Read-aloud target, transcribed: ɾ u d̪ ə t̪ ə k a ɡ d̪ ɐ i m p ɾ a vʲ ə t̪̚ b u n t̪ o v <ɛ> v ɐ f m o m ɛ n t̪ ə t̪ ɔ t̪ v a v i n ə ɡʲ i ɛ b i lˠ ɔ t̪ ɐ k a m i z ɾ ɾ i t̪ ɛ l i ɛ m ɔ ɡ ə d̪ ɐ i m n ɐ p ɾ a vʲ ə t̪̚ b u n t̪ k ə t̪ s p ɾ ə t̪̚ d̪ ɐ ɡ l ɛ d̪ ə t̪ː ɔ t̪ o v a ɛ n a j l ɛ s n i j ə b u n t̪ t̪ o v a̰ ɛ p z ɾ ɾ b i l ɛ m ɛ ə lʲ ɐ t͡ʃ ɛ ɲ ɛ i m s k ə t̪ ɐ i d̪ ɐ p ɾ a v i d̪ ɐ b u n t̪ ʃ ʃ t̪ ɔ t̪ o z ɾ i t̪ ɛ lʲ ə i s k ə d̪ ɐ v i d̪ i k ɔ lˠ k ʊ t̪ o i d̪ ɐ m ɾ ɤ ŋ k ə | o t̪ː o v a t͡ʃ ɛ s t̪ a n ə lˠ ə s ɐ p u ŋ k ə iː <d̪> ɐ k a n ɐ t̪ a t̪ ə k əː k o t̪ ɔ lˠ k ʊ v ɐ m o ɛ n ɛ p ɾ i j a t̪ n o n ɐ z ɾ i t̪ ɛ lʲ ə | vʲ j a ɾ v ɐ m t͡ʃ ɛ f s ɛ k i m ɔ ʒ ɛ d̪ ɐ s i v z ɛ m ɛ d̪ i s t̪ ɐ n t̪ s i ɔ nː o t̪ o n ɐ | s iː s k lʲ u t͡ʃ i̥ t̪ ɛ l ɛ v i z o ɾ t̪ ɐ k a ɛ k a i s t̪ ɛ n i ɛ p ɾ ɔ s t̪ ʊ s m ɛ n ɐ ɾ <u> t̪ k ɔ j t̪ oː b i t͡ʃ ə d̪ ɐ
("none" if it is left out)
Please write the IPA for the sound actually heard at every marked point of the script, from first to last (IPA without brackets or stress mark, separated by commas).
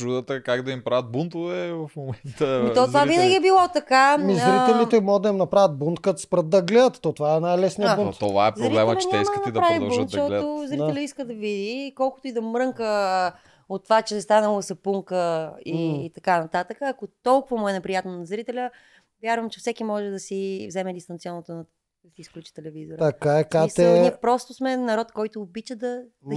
ɛ, t̪, ɔ